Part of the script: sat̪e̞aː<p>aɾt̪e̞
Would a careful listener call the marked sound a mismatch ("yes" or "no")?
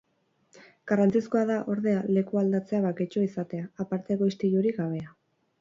no